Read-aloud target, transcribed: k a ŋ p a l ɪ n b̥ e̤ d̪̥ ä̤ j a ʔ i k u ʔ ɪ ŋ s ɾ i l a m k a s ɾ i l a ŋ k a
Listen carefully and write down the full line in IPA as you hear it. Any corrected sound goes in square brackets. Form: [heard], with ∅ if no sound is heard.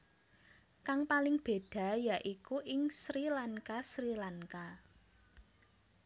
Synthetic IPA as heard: k a ŋ p a l ɪ [ŋ] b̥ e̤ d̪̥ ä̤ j a ʔ i k u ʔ ɪ ŋ s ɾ i l a [ŋ] k a s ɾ i l a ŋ k a